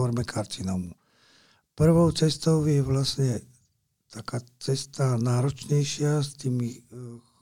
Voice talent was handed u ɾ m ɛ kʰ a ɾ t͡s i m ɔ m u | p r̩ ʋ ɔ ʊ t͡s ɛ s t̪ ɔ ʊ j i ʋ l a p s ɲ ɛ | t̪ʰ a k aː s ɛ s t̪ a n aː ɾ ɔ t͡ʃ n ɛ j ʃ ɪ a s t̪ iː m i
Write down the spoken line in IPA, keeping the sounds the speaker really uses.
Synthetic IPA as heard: ɔ ɾ m ɛ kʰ a ɾ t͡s i n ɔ m u | p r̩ ʋ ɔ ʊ t͡s ɛ s t̪ ɔ ʊ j ɛ ʋ l a s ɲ ɛ | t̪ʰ a k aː t͡s ɛ s t̪ a n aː ɾ ɔ t͡ʃ ɲ ɛ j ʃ ɪ a s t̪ iː m i